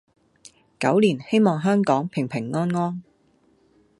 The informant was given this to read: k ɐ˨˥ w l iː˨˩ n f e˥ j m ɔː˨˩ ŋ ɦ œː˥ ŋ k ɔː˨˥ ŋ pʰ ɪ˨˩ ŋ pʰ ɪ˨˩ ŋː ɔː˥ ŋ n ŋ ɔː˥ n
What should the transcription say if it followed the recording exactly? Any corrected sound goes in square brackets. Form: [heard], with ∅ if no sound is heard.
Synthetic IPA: k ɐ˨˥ w l iː˨˩ n [h] e˥ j m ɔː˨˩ ŋ ɦ œː˥ ŋ k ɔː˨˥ ŋ pʰ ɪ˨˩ ŋ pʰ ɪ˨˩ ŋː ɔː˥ [∅] n ŋ ɔː˥ n

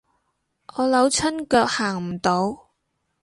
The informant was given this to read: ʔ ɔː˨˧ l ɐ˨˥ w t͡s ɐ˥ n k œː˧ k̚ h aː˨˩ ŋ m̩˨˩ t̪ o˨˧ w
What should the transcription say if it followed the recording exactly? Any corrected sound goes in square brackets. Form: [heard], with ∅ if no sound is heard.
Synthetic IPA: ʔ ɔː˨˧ l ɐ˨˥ w [t͡sʰ] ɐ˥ n k œː˧ k̚ h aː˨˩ ŋ m̩˨˩ t̪ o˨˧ w

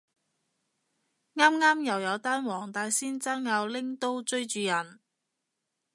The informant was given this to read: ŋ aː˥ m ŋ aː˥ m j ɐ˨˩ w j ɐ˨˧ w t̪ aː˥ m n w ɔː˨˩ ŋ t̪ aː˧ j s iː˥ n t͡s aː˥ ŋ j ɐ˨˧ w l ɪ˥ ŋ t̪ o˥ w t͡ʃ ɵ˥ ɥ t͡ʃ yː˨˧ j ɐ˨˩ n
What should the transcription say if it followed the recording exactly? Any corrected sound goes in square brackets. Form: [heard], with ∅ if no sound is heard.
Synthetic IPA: ŋ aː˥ m ŋ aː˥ m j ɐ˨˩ w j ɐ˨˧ w t̪ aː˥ [∅] n w ɔː˨˩ ŋ t̪ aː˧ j s iː˥ n t͡s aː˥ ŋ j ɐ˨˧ w l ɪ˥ ŋ t̪ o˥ w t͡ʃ ɵ˥ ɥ t͡ʃ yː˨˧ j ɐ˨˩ n

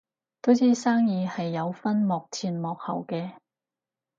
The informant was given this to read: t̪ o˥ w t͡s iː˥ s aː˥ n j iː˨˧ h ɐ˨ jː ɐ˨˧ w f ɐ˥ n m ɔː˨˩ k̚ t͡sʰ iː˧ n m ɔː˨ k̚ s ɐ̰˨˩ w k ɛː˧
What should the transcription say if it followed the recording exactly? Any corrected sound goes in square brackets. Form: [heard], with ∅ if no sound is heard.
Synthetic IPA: t̪ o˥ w t͡s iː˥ s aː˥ [ŋ] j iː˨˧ h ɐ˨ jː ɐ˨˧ w f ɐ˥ n m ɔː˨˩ k̚ t͡sʰ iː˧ n m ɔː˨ k̚ [h] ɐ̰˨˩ w k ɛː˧

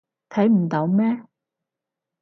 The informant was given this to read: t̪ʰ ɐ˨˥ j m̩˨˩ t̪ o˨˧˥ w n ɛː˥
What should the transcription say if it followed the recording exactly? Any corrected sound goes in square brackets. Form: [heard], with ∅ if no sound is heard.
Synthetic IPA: t̪ʰ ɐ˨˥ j m̩˨˩ t̪ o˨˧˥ w [m] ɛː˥

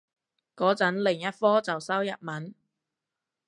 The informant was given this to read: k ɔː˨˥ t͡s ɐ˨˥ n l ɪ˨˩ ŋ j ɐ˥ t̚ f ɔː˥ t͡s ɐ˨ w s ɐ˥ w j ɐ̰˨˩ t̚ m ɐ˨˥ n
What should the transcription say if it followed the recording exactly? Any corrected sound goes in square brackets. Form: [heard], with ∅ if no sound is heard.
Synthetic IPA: k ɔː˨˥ t͡s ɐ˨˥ n l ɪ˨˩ ŋ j ɐ˥ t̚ f ɔː˥ t͡s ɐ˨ w s ɐ˥ w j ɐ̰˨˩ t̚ m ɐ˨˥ n

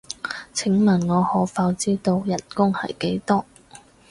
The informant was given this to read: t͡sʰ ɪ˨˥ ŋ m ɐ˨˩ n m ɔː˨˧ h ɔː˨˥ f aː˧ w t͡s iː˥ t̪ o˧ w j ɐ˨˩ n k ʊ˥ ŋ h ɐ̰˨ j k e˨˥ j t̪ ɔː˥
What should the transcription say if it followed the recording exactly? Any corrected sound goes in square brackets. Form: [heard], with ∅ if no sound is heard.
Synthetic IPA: t͡sʰ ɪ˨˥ ŋ m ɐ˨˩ n [ŋ] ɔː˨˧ h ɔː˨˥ f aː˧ w t͡s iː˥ t̪ o˧ w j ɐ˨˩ n k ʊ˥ ŋ h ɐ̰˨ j k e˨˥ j t̪ ɔː˥

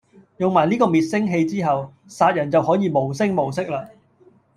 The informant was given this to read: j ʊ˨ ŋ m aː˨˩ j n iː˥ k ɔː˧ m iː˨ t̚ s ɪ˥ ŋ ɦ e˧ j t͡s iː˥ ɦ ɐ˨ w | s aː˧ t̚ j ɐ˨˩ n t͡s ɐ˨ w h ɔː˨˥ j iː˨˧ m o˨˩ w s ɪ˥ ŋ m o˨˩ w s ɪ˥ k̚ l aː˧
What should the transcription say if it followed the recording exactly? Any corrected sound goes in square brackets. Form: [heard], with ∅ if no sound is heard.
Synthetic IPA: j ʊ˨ ŋ m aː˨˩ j n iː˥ k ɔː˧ m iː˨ t̚ s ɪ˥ ŋ ɦ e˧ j t͡s iː˥ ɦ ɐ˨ w | s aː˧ t̚ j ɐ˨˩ n t͡s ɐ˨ w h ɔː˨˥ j iː˨˧ m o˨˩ w s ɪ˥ ŋ m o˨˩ w s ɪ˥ k̚ l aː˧

